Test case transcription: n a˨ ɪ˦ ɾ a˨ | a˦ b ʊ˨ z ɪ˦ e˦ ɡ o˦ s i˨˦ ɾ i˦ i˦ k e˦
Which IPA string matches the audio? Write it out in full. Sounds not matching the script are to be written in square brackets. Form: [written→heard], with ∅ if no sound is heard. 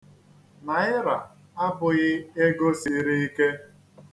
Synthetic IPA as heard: n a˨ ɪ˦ ɾ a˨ | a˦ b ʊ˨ [z→ɣ] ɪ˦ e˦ ɡ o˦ s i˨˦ ɾ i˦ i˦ k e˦

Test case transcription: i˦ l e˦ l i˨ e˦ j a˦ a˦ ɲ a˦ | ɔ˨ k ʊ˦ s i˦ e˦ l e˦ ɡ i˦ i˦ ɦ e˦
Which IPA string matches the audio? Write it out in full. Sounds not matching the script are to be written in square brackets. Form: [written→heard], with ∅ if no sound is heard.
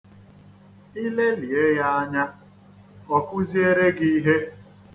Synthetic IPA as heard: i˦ l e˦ l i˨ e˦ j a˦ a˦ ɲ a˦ | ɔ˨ k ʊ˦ [s→z] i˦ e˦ [l→ɾ] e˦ ɡ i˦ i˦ ɦ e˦

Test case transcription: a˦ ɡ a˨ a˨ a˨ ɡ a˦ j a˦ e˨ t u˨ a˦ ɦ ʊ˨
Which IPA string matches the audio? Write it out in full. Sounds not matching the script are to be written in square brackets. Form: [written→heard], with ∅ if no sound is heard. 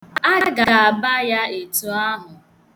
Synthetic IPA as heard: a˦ ɡ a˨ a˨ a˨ [ɡ→b] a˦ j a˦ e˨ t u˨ a˦ ɦ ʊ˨

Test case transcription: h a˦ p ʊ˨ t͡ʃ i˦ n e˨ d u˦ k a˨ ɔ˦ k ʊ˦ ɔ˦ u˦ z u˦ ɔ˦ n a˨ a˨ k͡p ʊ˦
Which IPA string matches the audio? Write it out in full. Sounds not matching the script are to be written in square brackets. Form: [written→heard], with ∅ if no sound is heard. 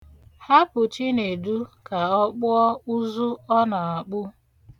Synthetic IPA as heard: h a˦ p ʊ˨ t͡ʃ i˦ n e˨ d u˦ k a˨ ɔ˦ [k→k͡p] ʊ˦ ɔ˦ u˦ z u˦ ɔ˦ n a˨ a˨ k͡p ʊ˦

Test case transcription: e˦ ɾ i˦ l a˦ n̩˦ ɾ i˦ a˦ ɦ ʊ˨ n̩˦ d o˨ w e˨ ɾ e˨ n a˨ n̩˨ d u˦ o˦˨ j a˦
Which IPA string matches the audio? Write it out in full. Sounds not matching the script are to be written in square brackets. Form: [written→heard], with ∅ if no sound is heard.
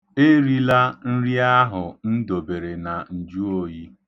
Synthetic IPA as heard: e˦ ɾ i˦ l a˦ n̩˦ ɾ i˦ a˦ ɦ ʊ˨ n̩˦ d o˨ [w→b] e˨ ɾ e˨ n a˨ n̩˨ [d→d͡ʒ] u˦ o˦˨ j [a˦→i˦]

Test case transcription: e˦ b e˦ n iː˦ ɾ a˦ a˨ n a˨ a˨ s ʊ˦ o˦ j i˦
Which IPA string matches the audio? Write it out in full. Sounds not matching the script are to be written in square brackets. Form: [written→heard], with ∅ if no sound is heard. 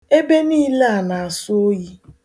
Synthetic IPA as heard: e˦ b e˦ n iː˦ [ɾ→l] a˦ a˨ n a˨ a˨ s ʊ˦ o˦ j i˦

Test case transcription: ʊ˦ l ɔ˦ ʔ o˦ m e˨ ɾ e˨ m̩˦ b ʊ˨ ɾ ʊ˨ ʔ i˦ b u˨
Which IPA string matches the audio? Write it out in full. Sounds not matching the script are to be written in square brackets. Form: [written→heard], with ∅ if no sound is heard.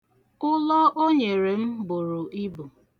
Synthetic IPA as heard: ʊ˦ l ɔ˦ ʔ o˦ [m→ɲ] e˨ ɾ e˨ m̩˦ b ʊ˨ ɾ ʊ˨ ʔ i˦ b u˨

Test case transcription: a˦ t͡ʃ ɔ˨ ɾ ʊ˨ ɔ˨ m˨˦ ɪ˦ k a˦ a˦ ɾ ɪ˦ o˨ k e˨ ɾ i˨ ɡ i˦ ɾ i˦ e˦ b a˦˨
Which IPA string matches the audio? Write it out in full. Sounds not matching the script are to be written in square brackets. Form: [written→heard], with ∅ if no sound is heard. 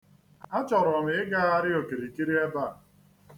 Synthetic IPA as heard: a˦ t͡ʃ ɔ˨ ɾ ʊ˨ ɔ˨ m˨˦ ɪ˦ [k→ɡ] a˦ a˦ ɾ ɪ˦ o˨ k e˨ ɾ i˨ [ɡ→k] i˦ ɾ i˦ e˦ b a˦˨

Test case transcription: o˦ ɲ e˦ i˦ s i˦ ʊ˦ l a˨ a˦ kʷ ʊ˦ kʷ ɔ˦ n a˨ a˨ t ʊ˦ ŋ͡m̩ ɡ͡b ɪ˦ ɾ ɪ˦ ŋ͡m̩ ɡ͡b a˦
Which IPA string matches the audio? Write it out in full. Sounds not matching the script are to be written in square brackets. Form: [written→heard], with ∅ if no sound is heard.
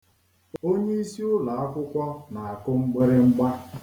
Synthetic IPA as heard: o˦ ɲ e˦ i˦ s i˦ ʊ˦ l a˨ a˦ kʷ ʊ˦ kʷ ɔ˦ n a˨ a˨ [t→k] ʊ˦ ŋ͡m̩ ɡ͡b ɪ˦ ɾ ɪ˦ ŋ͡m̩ ɡ͡b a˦

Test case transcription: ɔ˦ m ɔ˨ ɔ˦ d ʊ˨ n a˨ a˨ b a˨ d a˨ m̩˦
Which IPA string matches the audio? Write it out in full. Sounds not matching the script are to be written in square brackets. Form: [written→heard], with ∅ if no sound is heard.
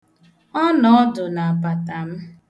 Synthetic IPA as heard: ɔ˦ [m→n] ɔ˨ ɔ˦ d ʊ˨ n a˨ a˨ [b→p] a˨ [d→t] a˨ m̩˦

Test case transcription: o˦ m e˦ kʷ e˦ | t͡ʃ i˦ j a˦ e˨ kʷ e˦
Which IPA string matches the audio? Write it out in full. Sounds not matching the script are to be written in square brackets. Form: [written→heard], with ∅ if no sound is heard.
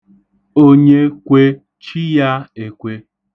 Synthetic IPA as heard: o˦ [m→ɲ] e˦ kʷ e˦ | t͡ʃ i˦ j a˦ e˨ kʷ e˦

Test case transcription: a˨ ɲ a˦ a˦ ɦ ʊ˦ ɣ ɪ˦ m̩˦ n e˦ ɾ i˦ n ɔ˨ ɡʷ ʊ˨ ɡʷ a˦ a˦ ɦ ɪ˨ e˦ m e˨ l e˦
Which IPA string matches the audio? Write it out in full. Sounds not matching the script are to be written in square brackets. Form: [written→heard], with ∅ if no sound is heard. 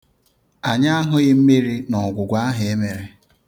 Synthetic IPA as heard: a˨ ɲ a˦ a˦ ɦ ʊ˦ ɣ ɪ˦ m̩˦ [n→m] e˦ ɾ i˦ n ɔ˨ ɡʷ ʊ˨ ɡʷ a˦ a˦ ɦ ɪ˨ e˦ m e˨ [l→ɾ] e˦

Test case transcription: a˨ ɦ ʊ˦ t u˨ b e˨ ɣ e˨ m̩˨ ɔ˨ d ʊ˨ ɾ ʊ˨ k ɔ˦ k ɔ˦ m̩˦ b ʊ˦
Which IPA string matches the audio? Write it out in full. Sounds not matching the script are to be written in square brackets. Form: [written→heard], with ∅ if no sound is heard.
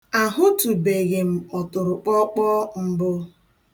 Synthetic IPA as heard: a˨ ɦ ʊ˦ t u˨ b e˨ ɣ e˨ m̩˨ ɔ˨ [d→t] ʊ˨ ɾ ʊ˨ [k→k͡p] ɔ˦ [k→k͡p] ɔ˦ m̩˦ b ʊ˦

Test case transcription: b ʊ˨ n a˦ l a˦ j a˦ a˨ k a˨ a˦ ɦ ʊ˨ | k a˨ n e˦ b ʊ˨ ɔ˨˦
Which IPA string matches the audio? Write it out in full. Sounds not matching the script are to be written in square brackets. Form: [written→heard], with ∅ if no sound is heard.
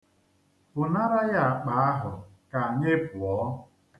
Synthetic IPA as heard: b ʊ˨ n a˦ [l→ɾ] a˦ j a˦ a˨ [k→k͡p] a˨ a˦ ɦ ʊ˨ | k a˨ [n→ɲ] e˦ [b→p] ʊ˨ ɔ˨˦

